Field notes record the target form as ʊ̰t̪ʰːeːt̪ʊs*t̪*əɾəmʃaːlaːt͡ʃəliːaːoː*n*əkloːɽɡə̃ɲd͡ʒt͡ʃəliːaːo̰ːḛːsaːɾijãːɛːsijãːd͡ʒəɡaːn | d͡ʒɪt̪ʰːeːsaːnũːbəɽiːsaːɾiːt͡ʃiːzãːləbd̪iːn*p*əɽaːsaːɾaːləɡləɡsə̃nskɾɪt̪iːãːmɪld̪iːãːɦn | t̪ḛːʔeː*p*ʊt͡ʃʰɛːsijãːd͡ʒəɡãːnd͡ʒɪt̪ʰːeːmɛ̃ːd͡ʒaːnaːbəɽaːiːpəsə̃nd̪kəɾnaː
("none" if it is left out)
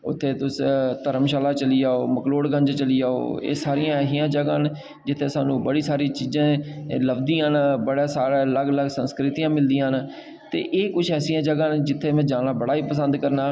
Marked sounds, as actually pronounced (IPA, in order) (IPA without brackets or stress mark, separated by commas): t̪, m, b, k